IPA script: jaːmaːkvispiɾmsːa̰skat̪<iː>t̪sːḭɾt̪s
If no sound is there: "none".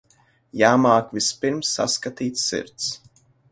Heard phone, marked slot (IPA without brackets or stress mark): iː